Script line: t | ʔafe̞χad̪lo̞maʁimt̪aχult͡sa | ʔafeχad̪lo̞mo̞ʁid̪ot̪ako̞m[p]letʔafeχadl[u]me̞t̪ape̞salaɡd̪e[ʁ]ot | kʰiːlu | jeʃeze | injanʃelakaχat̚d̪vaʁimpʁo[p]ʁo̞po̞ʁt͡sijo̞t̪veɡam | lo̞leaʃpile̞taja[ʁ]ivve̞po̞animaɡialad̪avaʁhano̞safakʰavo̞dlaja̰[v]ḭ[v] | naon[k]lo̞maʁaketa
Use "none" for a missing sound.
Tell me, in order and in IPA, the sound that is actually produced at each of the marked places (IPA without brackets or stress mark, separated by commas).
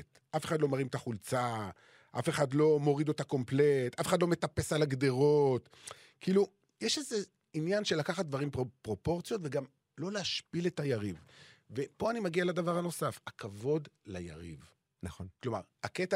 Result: p, o, ʁ, p, ʁ, ʁ, v, k